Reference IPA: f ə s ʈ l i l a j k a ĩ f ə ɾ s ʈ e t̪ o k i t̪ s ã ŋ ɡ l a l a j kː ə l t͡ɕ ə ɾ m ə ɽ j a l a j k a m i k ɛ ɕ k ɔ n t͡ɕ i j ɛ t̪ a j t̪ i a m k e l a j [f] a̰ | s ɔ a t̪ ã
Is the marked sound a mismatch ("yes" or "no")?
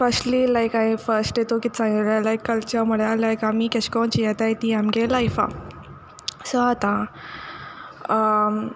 no